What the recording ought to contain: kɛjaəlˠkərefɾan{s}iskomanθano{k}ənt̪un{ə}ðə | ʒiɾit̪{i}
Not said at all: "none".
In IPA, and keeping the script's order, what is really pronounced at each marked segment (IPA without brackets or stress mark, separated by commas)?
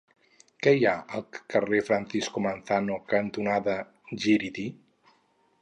θ, k, a, i